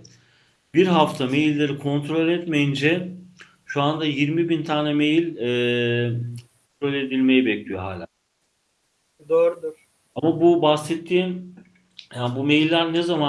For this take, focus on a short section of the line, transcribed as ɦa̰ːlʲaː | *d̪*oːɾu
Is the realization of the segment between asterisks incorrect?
no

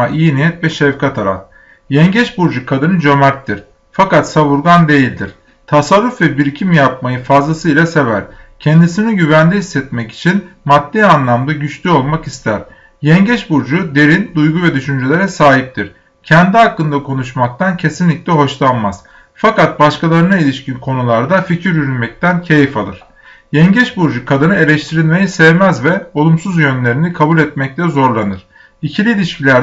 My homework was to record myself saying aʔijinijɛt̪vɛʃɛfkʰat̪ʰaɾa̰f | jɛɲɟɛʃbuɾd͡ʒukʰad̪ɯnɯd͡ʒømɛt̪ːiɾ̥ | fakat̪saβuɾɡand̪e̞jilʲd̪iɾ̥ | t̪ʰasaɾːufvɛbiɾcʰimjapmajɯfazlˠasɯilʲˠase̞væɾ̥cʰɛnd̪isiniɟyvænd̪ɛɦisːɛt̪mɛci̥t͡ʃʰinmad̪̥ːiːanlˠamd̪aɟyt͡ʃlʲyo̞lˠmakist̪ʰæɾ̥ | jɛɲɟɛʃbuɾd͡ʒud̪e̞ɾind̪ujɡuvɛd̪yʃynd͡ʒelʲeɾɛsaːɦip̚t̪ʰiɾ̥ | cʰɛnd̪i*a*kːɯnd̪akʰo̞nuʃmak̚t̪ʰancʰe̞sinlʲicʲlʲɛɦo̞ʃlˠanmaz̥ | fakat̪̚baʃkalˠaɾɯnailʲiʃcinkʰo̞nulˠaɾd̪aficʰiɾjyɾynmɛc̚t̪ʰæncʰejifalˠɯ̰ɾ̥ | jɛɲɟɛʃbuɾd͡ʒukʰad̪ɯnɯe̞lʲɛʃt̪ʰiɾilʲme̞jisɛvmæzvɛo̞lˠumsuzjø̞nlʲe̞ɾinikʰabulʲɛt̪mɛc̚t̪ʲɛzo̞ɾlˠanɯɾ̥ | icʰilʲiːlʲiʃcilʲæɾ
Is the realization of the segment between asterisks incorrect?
no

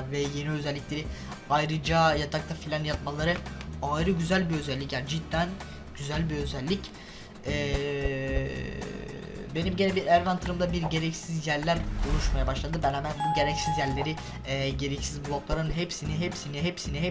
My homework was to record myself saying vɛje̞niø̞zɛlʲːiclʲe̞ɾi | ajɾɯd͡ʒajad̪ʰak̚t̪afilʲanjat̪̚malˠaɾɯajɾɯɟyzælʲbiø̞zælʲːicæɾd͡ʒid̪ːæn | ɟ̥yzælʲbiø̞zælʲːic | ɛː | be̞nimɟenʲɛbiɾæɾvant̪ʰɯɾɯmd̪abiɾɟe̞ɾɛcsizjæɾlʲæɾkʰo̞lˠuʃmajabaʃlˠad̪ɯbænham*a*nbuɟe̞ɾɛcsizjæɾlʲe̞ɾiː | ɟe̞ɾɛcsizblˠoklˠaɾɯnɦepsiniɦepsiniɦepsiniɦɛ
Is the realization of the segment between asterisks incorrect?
yes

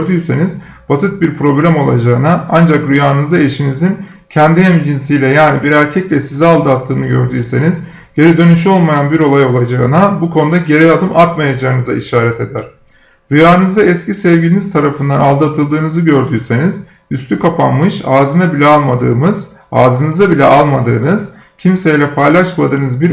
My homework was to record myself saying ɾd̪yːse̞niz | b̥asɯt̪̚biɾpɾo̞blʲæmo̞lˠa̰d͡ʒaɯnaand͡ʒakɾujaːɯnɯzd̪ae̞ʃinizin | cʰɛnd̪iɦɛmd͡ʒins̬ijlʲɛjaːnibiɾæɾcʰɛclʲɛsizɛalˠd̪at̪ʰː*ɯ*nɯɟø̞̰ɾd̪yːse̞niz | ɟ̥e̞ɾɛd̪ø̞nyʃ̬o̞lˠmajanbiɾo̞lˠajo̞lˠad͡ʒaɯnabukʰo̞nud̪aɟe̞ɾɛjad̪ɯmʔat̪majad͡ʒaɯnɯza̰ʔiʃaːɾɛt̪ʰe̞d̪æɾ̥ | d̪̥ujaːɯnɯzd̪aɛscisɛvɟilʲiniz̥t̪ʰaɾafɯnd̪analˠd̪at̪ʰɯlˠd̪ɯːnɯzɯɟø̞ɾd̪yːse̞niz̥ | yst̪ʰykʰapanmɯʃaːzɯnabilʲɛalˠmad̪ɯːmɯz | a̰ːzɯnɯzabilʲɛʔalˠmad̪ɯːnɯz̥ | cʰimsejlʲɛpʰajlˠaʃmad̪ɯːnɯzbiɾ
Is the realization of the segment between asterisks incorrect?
yes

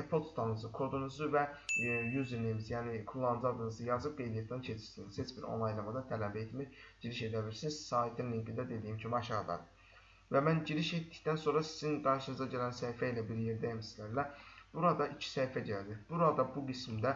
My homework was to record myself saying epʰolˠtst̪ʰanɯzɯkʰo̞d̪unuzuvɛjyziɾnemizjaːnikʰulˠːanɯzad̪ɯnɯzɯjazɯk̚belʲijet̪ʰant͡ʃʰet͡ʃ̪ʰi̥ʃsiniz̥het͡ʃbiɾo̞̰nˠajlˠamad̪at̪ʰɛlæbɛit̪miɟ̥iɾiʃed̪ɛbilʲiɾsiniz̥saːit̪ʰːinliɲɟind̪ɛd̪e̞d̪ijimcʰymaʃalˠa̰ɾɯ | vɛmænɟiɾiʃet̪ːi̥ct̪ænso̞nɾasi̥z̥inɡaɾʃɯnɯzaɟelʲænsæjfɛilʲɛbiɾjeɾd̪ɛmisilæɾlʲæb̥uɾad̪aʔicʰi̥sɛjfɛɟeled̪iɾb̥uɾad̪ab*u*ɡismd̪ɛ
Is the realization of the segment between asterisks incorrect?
no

